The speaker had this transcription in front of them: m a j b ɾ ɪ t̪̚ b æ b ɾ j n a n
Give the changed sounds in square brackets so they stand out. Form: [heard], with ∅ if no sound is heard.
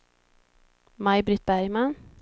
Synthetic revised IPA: m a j b ɾ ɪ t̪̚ b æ [∅] ɾ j [m] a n